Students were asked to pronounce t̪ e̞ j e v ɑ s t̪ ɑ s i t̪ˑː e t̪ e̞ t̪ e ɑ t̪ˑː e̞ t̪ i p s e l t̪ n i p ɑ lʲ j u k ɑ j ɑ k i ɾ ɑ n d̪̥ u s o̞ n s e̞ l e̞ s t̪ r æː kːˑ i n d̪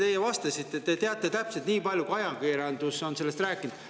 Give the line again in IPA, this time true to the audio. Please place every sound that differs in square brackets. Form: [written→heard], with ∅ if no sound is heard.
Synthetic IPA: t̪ e̞ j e v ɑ s t̪ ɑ s i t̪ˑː e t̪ e̞ t̪ e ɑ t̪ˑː e̞ t̪ [i→æ] p s e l t̪ n [i→iː] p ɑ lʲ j u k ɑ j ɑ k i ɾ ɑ n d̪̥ u s o̞ n s e̞ l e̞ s t̪ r æː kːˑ i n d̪